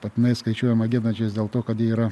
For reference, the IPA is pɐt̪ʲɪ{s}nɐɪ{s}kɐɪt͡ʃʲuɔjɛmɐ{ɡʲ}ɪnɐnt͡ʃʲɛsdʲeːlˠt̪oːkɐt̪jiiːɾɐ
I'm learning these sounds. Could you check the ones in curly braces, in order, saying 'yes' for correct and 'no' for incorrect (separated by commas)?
no, yes, yes